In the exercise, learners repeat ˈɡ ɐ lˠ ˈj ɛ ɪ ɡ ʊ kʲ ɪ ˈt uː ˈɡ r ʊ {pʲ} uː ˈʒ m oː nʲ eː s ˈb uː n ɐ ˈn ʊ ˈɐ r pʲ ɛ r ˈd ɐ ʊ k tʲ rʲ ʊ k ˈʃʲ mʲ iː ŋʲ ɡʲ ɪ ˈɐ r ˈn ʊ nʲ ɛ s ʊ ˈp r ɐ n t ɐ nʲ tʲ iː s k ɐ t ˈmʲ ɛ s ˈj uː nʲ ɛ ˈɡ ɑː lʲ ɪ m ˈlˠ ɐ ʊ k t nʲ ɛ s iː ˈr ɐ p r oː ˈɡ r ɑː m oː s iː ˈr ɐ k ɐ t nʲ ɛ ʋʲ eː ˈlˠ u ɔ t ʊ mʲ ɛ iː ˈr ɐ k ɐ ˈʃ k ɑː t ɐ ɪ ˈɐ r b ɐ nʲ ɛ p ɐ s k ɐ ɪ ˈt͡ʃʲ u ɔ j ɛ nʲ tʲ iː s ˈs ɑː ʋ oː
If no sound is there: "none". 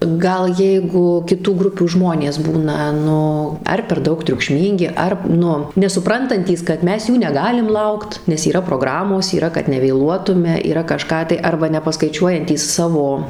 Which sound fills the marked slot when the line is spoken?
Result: pʲ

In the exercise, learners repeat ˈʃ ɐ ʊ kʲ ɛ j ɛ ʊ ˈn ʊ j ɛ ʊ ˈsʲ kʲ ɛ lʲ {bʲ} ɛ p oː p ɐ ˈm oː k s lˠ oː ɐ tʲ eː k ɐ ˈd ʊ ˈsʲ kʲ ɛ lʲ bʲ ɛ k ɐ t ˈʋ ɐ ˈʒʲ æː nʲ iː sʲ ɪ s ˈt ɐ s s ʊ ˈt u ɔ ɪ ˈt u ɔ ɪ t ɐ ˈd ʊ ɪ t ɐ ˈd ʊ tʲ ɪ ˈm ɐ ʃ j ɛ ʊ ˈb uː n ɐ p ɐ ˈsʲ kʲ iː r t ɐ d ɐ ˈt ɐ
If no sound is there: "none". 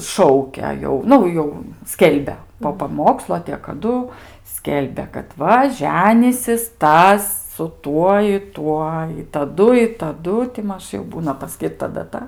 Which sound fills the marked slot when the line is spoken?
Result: bʲ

